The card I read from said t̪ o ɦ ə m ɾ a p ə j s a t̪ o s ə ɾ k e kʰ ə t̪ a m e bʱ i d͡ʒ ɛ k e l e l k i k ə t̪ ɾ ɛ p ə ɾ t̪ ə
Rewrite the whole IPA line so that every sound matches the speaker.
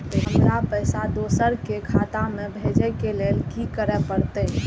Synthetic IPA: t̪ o ɦ ə m ɾ a p ə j s a d̪ o s ə ɾ k e kʰ a t̪ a m e bʱ e d͡ʒ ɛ k e l e l k i k ə ɾ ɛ p ə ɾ t̪ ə